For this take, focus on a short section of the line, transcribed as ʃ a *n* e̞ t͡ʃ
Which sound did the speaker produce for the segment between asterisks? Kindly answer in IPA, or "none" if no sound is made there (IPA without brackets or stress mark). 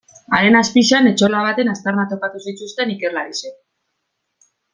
n